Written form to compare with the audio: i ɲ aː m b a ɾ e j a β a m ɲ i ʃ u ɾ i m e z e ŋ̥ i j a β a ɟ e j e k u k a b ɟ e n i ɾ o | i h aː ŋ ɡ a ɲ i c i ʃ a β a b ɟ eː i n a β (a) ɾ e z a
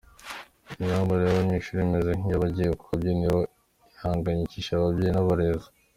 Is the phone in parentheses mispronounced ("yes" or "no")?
no